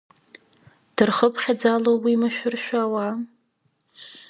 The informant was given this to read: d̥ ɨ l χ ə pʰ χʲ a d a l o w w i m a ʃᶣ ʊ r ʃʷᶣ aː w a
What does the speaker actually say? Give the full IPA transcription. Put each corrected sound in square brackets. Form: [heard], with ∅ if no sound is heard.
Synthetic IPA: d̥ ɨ [r] χ ə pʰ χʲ a [d͡z] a l o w w i m a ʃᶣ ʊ r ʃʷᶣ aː w a